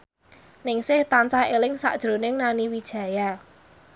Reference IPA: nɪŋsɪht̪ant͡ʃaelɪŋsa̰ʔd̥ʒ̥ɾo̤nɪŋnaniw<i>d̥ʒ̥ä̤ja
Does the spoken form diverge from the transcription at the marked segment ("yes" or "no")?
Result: no